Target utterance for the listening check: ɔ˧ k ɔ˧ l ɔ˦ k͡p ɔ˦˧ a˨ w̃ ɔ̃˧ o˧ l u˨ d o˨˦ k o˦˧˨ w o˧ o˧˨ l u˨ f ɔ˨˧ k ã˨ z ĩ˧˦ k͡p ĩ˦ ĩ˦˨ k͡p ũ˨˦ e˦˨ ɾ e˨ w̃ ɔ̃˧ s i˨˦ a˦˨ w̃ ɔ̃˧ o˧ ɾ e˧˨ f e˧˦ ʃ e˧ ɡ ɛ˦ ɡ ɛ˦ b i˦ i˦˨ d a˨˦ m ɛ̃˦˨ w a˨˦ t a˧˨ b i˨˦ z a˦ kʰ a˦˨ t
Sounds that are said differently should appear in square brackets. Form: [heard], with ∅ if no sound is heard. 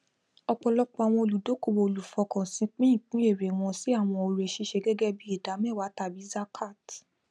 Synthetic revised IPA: ɔ˧ [k͡p] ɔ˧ l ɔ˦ k͡p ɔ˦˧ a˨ w̃ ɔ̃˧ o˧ l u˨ d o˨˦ k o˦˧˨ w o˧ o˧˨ l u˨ f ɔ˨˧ k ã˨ [s] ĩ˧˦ k͡p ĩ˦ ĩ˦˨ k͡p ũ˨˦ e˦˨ ɾ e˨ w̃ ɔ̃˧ s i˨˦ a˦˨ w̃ ɔ̃˧ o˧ ɾ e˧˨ [ʃ] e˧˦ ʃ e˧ ɡ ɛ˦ ɡ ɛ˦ b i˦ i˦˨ d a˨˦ m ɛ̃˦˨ w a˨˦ t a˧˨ b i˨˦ z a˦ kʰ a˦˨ t

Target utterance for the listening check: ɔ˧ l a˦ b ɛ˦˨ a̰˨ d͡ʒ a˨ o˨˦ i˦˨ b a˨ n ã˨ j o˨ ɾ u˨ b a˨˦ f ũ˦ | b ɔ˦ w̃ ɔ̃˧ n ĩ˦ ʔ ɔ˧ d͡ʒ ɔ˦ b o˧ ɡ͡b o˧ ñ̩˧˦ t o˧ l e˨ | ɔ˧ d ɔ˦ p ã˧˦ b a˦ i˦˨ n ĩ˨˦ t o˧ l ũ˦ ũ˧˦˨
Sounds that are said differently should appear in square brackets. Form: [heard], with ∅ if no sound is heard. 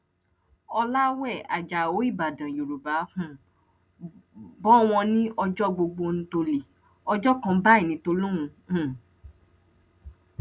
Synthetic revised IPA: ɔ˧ l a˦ [w] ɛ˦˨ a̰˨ d͡ʒ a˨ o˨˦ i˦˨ b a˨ [d] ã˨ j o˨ ɾ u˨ b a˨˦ f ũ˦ | b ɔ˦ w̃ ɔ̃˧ n ĩ˦ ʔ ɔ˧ d͡ʒ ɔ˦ [ɡ͡b] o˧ ɡ͡b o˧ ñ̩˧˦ t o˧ l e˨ | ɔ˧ [d͡ʒ] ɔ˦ [k] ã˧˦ b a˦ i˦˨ n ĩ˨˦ t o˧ l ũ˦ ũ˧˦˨

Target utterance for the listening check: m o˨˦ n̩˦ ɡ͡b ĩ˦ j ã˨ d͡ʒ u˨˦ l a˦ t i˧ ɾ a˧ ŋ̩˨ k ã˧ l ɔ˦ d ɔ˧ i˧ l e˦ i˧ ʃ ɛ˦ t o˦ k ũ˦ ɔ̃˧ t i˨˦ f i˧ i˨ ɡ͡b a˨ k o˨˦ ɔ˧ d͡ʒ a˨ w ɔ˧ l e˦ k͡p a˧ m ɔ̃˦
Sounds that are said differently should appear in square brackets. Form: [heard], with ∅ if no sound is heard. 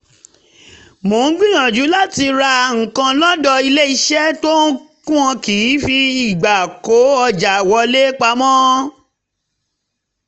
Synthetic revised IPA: m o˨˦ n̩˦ ɡ͡b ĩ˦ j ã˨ d͡ʒ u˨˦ l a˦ t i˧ ɾ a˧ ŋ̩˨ k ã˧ l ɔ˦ d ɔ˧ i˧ l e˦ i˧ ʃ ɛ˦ t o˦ k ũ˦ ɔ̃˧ [k] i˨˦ f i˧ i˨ ɡ͡b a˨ k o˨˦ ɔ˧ d͡ʒ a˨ w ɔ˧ l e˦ k͡p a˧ m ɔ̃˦

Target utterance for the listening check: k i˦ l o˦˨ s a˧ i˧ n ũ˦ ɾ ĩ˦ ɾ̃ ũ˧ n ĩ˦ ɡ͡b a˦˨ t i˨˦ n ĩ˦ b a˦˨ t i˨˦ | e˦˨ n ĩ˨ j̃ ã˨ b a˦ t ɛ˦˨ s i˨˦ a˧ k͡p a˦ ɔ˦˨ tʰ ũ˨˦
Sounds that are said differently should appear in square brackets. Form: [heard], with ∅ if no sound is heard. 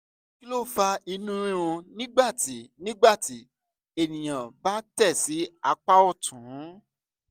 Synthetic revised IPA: k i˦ l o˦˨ [f] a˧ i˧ n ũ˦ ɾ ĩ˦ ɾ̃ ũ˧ n ĩ˦ ɡ͡b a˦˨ t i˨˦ n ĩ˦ [ɡ͡b] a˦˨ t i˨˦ | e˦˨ n ĩ˨ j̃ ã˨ b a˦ t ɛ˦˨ s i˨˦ a˧ k͡p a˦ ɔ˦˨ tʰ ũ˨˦

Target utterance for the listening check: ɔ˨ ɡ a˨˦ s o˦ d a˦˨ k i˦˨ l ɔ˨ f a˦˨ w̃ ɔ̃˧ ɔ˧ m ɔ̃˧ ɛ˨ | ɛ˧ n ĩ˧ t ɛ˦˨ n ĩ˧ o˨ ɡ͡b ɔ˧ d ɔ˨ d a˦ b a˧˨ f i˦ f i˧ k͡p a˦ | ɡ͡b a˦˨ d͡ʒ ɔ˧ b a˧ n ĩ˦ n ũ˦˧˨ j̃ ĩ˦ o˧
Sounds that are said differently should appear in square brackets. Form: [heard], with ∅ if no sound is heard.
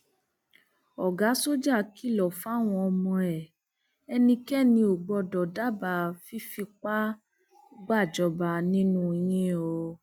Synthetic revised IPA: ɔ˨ ɡ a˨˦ s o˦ [d͡ʒ] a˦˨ k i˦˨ l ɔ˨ f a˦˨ w̃ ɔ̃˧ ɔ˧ m ɔ̃˧ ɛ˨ | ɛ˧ n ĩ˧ [k] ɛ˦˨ n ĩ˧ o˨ ɡ͡b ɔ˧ d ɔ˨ d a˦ b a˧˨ f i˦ f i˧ k͡p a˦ | ɡ͡b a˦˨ d͡ʒ ɔ˧ b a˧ n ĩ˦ n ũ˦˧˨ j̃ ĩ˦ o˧

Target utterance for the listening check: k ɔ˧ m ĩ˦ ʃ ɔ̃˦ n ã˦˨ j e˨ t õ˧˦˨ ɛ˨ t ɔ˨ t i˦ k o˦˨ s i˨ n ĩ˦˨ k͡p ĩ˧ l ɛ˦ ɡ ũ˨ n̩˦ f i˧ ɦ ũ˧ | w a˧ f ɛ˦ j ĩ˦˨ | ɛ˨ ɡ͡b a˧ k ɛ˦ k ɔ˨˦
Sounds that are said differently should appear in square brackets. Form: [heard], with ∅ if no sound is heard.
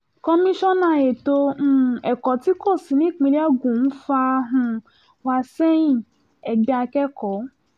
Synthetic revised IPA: k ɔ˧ m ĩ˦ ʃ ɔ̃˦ n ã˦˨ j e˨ t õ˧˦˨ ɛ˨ [k] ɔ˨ t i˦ k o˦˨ s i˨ n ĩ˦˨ k͡p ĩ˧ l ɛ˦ ɡ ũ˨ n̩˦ f [a˧] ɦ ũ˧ | w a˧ [s] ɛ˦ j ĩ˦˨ | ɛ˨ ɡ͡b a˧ k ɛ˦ k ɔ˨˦

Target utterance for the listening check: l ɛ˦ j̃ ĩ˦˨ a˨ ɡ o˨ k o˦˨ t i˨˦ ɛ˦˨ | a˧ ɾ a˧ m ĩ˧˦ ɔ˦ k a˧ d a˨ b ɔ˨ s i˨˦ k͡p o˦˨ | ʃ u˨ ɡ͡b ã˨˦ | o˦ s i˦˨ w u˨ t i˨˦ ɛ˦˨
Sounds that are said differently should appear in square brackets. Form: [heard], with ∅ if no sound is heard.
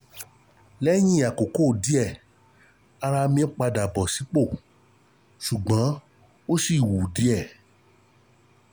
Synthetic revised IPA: l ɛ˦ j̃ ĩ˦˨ a˨ [k] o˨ k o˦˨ [d] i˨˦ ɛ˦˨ | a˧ ɾ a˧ m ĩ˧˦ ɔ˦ [k͡p] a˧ d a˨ b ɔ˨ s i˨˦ k͡p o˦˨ | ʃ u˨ ɡ͡b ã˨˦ | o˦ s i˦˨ w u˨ [d] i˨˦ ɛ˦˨

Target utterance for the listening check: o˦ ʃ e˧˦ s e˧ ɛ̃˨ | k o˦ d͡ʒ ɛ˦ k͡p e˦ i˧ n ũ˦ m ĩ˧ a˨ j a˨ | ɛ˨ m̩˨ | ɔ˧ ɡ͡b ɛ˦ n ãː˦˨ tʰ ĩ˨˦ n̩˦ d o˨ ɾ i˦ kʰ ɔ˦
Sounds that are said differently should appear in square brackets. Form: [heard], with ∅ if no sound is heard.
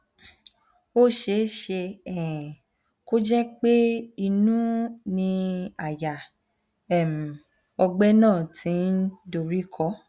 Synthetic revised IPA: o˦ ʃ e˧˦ [ʃ] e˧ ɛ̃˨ | k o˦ d͡ʒ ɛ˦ k͡p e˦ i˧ n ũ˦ [n] ĩ˧ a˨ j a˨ | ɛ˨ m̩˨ | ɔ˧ ɡ͡b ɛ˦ n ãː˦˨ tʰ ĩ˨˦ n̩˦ d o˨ ɾ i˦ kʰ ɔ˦

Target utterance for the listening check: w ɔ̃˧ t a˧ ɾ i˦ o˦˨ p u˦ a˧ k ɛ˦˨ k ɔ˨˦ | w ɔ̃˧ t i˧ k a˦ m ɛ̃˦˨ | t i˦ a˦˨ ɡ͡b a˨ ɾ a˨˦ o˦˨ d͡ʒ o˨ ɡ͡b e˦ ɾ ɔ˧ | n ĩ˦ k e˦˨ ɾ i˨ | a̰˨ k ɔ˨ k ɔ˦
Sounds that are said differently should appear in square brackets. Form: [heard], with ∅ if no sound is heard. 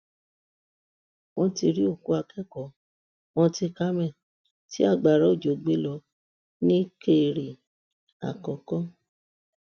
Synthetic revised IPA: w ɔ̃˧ t [i˧] ɾ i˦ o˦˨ [k] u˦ a˧ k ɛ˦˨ k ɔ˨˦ | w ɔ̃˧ t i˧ k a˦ m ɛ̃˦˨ | t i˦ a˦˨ ɡ͡b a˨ ɾ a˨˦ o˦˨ d͡ʒ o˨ ɡ͡b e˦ [l] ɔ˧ | n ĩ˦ k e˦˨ ɾ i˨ | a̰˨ k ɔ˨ k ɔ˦

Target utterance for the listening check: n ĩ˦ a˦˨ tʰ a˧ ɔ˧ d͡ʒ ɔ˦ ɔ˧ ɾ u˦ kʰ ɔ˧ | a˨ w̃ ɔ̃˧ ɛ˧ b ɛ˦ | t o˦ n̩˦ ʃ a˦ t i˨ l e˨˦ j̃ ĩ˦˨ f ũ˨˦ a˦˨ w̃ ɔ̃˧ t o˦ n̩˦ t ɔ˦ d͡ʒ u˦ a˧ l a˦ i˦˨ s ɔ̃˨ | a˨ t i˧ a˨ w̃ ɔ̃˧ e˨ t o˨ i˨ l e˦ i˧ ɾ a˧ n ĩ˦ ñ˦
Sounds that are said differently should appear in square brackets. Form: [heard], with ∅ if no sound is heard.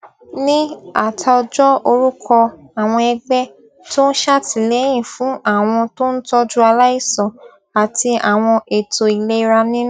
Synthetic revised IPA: n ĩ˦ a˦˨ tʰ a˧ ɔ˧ d͡ʒ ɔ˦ [o˧] ɾ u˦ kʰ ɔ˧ | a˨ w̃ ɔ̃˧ ɛ˧ [ɡ͡b] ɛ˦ | t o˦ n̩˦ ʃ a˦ t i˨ l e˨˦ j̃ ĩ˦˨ f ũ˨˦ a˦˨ w̃ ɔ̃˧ t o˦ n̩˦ t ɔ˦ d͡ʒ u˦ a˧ l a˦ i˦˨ s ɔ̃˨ | a˨ t i˧ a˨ w̃ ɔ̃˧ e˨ t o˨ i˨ l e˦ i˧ ɾ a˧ n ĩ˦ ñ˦

